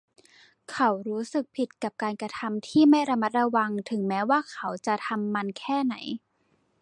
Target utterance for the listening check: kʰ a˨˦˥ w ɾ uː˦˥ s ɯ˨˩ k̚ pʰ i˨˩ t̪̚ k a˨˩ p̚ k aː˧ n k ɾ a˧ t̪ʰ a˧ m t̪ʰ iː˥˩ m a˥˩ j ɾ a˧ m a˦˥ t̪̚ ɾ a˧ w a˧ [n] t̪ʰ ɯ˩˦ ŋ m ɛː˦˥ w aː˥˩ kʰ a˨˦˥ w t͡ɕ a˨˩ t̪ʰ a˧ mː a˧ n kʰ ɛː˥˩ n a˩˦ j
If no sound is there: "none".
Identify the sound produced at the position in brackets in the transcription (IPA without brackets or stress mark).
ŋ